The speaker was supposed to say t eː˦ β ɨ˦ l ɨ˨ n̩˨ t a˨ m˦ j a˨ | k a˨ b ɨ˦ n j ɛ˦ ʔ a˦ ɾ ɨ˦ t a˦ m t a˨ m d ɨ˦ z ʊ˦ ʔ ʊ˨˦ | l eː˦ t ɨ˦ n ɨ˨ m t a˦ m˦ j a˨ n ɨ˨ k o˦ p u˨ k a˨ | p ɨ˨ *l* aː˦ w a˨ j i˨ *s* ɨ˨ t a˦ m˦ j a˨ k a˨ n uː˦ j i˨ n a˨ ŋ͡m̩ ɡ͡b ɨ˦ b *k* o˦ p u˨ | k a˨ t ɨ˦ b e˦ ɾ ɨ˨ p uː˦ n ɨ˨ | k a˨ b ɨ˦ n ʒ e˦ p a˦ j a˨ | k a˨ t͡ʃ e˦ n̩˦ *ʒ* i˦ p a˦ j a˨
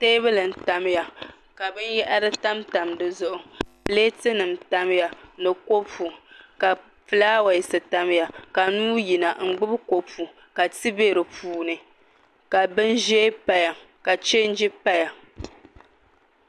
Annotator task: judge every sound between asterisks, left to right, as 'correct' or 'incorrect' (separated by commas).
correct, correct, correct, incorrect